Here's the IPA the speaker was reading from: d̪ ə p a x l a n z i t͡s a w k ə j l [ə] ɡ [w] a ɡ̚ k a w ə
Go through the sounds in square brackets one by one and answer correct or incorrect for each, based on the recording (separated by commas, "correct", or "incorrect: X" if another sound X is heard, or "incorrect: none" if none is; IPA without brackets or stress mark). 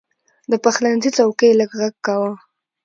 correct, incorrect: ɣ